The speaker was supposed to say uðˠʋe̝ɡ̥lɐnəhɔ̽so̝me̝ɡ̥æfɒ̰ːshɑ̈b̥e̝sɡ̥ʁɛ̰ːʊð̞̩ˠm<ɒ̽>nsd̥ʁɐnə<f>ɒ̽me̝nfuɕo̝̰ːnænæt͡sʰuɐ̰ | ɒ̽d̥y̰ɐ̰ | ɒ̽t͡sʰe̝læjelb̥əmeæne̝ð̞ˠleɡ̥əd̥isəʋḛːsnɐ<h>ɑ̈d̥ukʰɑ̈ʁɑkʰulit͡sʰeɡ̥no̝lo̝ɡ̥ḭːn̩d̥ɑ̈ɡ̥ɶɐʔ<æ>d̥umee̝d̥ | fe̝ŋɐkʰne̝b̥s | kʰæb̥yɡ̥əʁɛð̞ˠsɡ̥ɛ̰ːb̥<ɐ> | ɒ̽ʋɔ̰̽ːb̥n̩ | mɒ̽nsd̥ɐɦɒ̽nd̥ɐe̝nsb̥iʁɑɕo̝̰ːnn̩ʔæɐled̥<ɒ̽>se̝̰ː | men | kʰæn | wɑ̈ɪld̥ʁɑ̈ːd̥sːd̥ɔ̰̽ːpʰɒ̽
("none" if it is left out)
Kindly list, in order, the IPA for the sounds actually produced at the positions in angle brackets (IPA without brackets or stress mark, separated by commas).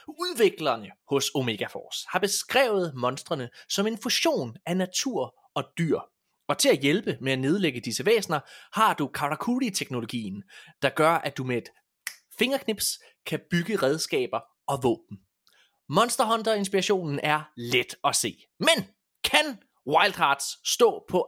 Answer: ɒ̽, s, h, æ, ɐ, ɒ̽